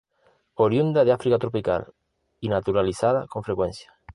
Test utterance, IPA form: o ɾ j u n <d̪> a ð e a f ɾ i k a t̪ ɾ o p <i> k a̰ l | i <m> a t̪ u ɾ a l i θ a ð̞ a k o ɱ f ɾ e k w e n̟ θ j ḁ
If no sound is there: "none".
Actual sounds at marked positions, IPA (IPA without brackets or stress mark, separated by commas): d̪, i, n